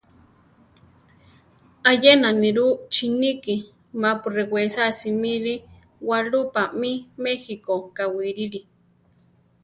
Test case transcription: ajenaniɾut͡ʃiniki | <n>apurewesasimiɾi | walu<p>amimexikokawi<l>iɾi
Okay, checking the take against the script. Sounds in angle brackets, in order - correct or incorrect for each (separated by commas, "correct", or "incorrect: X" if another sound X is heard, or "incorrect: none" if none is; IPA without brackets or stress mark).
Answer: incorrect: m, correct, incorrect: ɾ